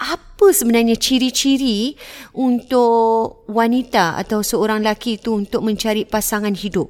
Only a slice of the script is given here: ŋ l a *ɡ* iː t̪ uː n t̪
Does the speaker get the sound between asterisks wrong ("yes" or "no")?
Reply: yes